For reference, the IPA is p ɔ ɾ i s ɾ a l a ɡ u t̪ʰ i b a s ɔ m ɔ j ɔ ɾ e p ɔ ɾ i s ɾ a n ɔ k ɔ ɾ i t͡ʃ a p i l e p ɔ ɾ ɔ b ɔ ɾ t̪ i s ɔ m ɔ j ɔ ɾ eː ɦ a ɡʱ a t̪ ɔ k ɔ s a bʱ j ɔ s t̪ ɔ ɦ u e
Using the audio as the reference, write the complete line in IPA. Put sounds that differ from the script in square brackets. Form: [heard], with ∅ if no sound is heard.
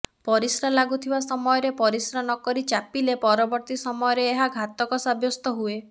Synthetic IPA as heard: p ɔ ɾ i s ɾ a l a ɡ u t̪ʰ i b a s ɔ m ɔ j ɔ ɾ e p ɔ ɾ i s ɾ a n ɔ k ɔ ɾ i t͡ʃ a p i l e p ɔ ɾ ɔ b ɔ ɾ t̪ i s ɔ m ɔ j ɔ ɾ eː ɦ a ɡʱ a t̪ ɔ k ɔ s a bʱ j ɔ s t̪ ɔ ɦ u e